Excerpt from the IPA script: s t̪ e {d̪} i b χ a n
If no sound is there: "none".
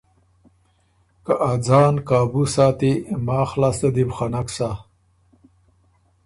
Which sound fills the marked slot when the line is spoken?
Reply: d̪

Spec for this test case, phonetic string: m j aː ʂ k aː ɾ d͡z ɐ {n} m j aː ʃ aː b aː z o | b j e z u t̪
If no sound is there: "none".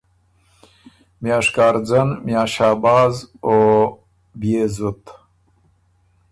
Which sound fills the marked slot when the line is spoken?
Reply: n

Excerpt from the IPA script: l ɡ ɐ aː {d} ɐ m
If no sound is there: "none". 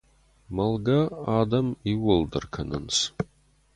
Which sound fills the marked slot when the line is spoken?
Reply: d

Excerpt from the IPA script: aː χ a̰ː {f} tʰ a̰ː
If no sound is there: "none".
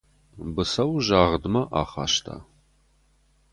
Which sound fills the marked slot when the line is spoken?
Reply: ʃ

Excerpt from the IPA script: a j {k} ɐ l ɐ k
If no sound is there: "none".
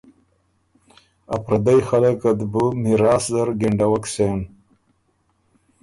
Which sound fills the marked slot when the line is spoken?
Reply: x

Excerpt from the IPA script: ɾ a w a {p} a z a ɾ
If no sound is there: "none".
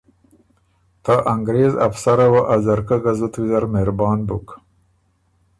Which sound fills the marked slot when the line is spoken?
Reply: ʔ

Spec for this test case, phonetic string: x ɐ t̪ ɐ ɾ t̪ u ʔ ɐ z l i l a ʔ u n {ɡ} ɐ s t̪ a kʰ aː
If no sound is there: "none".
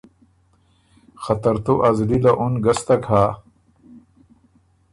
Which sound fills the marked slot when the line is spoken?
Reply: ɡ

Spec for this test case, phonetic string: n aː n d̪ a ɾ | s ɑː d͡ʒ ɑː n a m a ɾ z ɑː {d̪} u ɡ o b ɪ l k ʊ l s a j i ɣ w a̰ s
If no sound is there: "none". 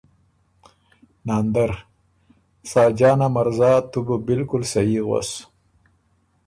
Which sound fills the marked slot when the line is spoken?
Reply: t̪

